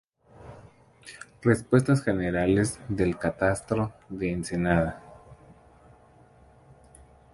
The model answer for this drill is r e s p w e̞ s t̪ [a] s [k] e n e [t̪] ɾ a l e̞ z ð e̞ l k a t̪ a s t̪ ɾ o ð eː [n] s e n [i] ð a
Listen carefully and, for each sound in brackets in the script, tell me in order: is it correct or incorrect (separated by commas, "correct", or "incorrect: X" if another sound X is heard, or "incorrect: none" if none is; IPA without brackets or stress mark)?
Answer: correct, incorrect: x, incorrect: none, correct, incorrect: a